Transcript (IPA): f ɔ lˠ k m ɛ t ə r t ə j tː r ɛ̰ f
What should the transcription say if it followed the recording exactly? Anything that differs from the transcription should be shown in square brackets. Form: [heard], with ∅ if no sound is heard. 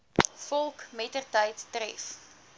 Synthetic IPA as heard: f ɔ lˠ k m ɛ t ə r t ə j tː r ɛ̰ f